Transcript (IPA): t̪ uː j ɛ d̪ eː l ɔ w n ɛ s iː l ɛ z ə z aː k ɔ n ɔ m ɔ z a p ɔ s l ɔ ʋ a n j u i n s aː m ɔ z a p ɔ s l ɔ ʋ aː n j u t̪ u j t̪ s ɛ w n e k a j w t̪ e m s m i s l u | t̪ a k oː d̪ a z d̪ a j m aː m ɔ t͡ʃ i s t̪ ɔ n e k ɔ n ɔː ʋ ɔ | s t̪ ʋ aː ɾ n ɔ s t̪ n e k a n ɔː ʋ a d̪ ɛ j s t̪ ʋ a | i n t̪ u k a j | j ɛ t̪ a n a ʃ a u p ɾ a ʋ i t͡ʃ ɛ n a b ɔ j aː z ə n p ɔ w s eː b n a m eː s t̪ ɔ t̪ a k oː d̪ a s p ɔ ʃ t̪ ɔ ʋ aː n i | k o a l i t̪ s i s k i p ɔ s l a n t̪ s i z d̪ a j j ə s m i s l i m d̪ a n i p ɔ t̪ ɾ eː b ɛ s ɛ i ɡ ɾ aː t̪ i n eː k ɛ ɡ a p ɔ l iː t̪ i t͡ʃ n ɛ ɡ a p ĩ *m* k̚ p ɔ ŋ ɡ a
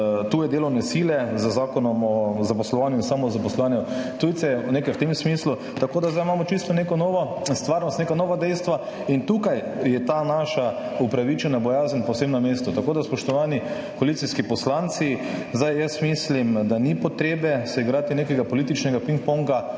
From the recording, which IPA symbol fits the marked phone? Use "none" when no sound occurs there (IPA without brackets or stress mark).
ŋ